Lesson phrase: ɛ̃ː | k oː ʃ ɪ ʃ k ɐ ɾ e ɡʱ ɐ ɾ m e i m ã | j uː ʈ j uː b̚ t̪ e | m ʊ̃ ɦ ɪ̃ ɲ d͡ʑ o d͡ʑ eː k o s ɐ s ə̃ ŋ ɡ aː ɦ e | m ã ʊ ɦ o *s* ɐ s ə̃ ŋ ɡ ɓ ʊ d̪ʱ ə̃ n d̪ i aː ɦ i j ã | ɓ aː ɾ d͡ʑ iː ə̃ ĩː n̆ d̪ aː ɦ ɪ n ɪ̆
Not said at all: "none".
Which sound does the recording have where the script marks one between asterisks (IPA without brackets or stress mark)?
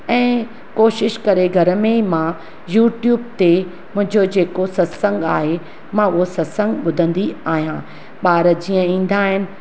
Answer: s